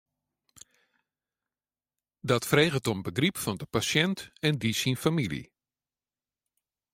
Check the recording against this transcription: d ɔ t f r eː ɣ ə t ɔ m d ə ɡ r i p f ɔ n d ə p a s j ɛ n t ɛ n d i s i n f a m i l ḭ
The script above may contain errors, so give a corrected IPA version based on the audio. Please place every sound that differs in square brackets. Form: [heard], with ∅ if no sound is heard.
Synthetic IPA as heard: d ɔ t f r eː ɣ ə t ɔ m [b] ə ɡ r i p f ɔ n d ə p a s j ɛ n t ɛ n d i s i n f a m i l ḭ